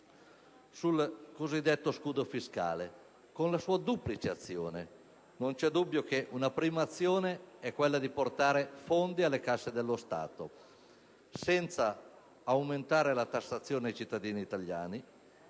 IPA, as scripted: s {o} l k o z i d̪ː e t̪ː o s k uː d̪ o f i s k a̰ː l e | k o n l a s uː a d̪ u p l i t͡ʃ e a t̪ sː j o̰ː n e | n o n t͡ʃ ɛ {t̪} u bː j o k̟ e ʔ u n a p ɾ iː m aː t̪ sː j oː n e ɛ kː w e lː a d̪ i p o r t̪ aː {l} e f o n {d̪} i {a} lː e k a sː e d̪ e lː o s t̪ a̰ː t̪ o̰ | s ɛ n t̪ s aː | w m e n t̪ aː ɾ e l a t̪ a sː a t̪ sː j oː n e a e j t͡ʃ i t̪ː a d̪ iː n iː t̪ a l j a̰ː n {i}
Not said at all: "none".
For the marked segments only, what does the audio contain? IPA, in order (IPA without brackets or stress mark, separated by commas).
u, d̪, ɾ, d̪, a, i